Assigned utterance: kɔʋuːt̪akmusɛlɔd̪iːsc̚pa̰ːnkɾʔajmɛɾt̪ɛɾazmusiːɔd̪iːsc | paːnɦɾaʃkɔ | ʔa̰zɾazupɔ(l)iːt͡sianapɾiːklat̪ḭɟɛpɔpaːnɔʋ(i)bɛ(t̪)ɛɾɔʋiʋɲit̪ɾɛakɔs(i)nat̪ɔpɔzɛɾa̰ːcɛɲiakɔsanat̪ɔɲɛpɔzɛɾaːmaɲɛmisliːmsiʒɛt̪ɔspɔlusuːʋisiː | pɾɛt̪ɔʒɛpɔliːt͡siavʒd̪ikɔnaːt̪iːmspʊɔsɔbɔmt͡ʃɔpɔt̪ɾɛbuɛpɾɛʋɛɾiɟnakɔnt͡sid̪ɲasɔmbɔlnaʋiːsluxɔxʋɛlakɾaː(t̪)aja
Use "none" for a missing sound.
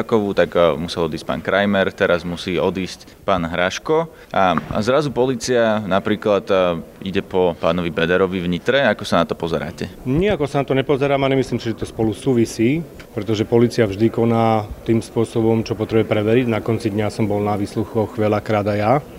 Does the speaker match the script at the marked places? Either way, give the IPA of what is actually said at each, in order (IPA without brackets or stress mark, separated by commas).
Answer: l, i, d̪, a, d̪